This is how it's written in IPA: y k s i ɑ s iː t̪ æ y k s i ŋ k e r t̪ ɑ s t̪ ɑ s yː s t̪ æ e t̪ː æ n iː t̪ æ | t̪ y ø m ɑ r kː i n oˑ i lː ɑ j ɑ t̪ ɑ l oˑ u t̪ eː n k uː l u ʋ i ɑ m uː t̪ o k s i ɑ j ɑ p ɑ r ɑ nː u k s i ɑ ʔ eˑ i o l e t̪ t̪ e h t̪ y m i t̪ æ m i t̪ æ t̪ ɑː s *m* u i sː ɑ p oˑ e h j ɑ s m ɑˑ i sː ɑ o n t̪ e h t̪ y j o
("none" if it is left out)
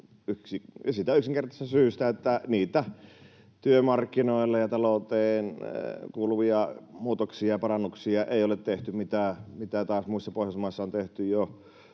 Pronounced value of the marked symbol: m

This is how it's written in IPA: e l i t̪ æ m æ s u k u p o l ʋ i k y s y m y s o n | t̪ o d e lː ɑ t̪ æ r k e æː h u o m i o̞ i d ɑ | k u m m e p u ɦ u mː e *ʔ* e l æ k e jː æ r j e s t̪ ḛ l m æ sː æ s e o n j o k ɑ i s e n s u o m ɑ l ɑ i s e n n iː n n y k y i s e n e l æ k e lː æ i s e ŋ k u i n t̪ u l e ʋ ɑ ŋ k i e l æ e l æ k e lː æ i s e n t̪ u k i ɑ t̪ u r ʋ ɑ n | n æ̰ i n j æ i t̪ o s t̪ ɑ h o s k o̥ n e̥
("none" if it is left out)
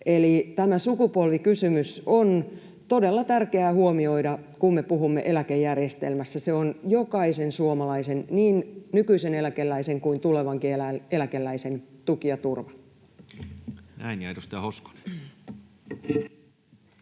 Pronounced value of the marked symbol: ʔ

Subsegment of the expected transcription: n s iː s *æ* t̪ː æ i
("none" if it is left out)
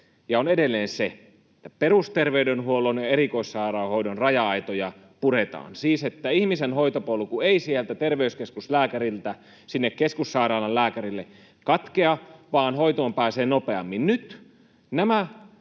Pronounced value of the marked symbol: e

